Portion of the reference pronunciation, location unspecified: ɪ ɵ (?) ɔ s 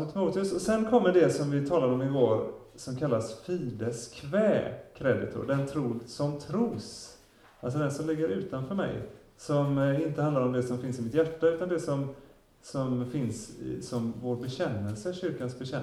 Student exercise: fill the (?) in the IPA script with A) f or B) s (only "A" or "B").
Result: B